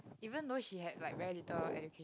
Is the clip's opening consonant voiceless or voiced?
voiced